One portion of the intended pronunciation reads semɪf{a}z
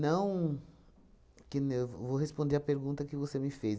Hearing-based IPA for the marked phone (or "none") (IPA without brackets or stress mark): e